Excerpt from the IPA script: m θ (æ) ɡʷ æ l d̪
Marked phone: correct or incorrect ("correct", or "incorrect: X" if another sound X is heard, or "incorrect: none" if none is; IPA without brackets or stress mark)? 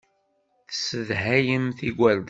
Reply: incorrect: i